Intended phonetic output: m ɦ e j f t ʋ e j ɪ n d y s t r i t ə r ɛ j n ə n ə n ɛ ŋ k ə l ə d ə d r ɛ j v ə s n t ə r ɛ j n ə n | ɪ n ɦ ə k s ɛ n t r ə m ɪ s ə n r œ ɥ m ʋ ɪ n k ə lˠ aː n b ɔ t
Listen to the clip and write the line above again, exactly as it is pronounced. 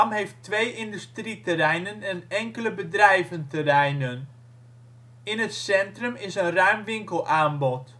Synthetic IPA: m ɦ e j f t ʋ e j ɪ n d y s t r i t ə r ɛ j n ə n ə n ɛ ŋ k ə l ə b ə d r ɛ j v ə n t ə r ɛ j n ə n | ɪ n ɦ ə t s ɛ n t r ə m ɪ s ə n r œ ɥ m ʋ ɪ ŋ k ə lˠ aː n b ɔ t